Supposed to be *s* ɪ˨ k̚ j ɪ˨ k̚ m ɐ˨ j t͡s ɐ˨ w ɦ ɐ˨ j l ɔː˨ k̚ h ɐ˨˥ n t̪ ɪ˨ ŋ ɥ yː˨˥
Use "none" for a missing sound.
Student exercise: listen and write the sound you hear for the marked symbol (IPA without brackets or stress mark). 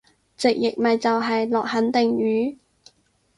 t͡s